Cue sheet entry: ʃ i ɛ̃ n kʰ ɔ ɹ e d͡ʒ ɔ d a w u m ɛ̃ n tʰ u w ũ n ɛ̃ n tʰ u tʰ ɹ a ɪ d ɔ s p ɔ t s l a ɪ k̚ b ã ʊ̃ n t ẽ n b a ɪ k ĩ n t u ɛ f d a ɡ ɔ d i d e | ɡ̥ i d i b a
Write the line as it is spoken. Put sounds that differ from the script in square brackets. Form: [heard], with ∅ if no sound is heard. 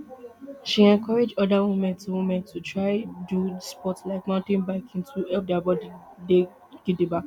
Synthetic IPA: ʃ i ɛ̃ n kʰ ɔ ɹ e d͡ʒ ɔ d a w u m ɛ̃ n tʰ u w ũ [m] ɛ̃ n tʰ u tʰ ɹ a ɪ d [u] s p ɔ t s l a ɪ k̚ [m] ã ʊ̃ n t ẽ n b a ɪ k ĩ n t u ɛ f d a [b] ɔ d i d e | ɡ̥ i d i b a